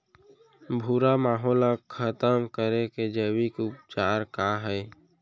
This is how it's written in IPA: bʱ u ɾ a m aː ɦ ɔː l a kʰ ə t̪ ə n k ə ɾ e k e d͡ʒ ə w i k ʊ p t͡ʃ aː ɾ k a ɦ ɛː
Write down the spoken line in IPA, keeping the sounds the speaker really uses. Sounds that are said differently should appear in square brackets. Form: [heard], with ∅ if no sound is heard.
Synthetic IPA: bʱ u ɾ a m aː ɦ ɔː l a kʰ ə t̪ ə [m] k ə ɾ e k e d͡ʒ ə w i k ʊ p t͡ʃ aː ɾ k a ɦ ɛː